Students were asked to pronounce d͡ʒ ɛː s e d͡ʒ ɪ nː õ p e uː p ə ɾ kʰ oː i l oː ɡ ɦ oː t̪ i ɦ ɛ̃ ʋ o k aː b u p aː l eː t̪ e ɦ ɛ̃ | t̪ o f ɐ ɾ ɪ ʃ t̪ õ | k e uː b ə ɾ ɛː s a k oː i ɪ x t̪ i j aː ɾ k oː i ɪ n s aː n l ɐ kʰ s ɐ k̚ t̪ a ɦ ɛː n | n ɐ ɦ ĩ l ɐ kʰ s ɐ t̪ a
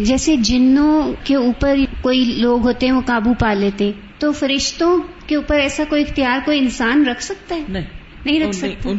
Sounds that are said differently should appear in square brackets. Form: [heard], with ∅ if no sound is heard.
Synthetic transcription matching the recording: d͡ʒ ɛː s e d͡ʒ ɪ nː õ [k] e uː p ə ɾ [k] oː i l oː ɡ ɦ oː t̪ [e] ɦ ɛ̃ ʋ o k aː b u p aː l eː t̪ e ɦ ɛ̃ | t̪ o f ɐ ɾ ɪ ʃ t̪ õ | k e uː [p] ə ɾ ɛː s a k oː i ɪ x t̪ i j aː ɾ k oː i ɪ n s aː n [ɾ] ɐ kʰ s ɐ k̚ t̪ a ɦ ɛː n | n ɐ ɦ ĩ [ɾ] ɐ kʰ s ɐ t̪ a